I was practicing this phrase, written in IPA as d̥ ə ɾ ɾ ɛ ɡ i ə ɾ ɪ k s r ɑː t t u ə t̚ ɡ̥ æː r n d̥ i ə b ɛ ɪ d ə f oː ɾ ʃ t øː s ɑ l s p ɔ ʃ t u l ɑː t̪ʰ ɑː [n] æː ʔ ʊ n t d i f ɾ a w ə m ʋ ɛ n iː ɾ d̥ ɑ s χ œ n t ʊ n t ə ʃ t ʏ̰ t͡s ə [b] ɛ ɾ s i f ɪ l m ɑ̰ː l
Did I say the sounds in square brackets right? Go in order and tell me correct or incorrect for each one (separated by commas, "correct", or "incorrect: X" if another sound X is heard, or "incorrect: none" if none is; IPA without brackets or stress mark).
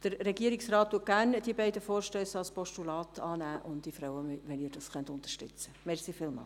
correct, incorrect: m